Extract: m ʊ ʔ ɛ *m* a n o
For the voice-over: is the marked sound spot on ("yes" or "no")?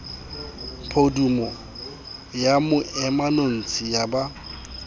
yes